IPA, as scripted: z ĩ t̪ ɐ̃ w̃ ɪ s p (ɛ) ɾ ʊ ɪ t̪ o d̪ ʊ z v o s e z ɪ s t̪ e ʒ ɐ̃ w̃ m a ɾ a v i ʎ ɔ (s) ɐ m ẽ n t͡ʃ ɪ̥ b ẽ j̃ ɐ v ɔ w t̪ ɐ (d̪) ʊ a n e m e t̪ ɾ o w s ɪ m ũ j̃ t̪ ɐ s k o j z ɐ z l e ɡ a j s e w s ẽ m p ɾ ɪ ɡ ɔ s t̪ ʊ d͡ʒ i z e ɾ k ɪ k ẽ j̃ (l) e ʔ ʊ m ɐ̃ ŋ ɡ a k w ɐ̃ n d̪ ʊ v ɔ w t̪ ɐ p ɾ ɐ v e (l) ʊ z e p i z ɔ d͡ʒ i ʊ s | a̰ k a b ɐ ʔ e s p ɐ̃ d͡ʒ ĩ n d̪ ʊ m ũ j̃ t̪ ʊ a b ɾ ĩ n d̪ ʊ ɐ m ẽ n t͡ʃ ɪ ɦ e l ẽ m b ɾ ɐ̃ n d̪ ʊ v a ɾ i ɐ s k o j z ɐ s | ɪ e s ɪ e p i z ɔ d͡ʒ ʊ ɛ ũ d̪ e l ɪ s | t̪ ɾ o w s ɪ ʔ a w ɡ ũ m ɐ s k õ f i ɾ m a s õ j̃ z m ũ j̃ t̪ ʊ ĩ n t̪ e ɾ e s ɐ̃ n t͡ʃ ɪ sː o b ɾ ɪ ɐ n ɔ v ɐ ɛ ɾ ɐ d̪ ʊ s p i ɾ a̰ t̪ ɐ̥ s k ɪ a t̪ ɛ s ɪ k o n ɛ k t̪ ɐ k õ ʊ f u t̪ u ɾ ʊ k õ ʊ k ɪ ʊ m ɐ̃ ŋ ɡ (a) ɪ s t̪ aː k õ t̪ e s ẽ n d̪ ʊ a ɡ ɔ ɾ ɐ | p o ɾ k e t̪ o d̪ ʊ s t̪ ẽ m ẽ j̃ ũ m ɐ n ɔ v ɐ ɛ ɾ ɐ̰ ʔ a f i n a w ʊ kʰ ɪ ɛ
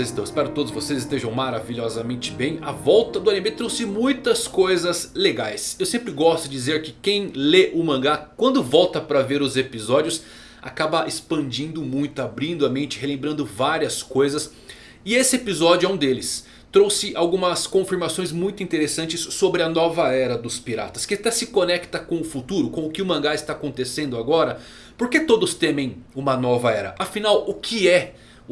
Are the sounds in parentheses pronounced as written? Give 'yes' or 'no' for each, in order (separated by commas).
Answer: yes, no, yes, yes, no, yes